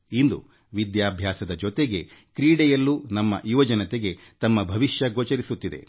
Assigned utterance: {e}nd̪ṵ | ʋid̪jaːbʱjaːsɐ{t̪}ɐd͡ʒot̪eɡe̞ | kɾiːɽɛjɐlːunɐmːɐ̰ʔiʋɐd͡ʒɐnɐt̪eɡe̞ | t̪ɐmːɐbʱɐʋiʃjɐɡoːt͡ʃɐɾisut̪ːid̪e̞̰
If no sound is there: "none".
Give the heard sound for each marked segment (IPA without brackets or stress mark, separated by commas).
i, d̪